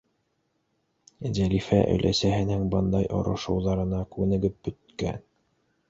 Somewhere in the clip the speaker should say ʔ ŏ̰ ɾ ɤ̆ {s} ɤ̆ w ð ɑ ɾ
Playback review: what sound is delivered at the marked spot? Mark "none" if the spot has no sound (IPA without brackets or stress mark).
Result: ʃ